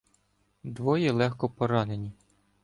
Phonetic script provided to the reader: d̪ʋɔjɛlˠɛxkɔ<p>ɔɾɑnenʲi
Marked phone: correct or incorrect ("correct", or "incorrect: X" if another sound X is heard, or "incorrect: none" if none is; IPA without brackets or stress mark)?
correct